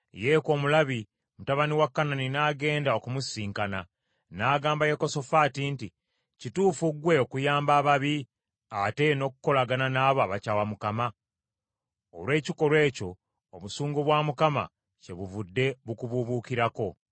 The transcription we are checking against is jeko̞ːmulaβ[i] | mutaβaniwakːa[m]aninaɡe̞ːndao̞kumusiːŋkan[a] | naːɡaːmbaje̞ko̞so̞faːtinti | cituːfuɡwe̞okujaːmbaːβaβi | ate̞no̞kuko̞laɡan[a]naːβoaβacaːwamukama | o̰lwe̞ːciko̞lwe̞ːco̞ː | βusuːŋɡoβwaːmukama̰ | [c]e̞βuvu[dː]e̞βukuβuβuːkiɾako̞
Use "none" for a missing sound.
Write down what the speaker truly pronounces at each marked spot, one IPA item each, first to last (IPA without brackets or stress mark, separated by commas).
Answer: i, n, a, a, c, dː